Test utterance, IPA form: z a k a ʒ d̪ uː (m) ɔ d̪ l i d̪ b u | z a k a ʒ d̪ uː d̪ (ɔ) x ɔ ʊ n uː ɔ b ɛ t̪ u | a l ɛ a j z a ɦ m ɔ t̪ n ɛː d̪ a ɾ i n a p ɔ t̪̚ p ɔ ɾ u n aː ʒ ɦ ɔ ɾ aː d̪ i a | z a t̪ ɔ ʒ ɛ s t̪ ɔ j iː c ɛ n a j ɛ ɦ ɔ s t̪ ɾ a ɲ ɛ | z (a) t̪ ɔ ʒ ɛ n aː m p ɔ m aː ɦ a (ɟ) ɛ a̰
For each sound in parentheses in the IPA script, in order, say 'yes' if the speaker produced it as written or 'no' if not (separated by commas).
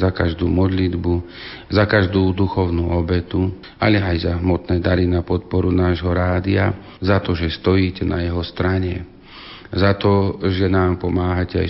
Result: yes, no, yes, no